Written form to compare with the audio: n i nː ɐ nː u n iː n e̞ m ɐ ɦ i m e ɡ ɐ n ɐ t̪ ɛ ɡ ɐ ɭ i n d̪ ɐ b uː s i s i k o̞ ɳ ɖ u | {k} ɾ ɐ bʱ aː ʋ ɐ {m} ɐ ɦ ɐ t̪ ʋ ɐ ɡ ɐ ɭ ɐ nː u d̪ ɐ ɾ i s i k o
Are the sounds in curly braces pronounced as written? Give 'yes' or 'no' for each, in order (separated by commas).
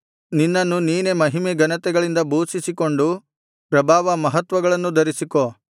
no, yes